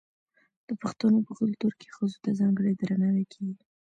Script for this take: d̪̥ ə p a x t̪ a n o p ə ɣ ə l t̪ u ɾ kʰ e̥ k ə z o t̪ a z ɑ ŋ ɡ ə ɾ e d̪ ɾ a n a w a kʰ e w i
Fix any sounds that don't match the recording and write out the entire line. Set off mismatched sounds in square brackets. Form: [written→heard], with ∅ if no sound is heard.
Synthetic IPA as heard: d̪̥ ə p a x t̪ a n o p ə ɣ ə l t̪ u ɾ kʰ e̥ [k→x] ə z o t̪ a z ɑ ŋ ɡ ə [ɾ→ɽ] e d̪ ɾ a n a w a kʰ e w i